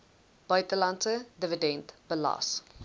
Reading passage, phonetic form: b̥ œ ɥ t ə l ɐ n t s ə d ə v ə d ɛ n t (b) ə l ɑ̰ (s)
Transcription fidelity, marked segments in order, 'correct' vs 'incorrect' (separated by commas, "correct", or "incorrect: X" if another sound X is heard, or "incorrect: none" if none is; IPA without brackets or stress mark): correct, correct